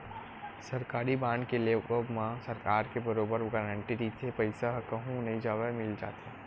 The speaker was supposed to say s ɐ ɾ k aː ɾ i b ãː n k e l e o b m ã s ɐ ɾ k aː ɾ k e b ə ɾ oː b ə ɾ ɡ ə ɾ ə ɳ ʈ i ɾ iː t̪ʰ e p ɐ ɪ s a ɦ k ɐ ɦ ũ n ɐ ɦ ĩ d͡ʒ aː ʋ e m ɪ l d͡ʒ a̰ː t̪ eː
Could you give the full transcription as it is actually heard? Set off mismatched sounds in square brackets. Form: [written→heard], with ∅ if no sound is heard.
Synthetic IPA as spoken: s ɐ ɾ k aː ɾ i b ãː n k e l e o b m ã s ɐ ɾ k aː ɾ k e b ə ɾ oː b ə ɾ ɡ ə ɾ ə ɳ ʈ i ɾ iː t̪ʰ e p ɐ ɪ s a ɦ k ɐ ɦ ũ n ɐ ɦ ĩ d͡ʒ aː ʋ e m ɪ l d͡ʒ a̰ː t̪ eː